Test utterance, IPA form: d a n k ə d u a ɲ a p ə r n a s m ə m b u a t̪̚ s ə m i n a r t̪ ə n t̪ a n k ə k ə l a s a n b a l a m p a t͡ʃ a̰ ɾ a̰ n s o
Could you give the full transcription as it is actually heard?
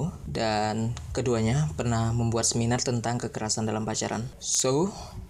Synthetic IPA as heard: d a n k ə d u a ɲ a p ə r n a h m ə m b u a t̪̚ s ə m i n a r t̪ ə n t̪ a ŋ k ə k ə ɾ a s a n d a l a m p a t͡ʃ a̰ ɾ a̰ n s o